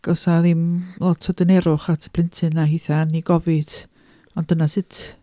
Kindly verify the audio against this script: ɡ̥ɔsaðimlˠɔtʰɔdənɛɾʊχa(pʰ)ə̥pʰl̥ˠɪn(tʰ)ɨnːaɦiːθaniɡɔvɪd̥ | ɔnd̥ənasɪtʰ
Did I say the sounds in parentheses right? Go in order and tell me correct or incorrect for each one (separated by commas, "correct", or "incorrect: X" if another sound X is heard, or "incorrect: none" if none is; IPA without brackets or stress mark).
incorrect: tʰ, correct